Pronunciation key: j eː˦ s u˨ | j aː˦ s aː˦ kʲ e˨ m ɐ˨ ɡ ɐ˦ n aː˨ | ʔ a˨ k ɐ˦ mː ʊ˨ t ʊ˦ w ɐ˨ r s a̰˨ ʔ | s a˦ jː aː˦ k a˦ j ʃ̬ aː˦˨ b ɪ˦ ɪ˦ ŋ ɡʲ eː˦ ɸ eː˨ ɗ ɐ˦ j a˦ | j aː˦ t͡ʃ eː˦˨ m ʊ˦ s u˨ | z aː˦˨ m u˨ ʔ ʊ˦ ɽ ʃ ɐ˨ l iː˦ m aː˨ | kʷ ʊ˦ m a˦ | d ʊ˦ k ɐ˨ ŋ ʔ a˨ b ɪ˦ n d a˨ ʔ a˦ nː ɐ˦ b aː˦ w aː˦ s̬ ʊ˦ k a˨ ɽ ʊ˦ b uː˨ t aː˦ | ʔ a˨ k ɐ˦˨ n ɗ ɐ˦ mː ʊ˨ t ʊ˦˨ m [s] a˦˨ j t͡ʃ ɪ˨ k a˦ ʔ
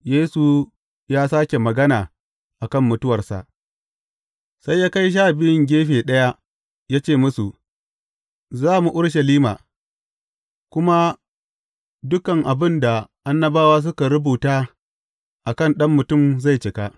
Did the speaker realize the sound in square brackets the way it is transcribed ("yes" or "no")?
no